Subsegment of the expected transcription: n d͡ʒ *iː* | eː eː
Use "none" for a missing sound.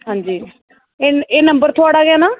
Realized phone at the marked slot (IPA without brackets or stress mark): iː